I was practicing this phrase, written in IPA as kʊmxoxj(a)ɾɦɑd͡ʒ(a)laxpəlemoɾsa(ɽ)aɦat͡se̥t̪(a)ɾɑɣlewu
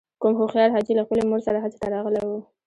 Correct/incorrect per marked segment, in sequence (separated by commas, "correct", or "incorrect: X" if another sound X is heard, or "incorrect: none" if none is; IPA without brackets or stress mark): incorrect: ɑ, incorrect: i, incorrect: ɾ, correct